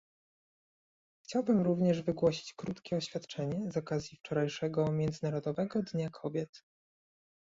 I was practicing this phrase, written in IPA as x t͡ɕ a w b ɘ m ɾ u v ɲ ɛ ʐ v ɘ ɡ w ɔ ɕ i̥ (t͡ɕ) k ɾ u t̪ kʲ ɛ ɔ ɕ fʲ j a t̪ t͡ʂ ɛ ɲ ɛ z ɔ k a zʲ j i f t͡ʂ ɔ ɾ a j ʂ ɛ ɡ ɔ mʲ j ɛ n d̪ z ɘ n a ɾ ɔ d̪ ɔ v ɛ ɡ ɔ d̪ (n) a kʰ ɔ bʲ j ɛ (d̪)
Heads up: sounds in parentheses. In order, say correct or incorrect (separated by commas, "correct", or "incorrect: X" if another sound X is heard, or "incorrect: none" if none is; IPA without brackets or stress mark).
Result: correct, incorrect: ɲ, incorrect: t̪